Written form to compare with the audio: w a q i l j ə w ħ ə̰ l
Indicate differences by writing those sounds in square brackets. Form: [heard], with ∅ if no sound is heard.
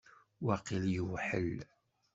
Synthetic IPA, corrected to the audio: w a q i l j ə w ħ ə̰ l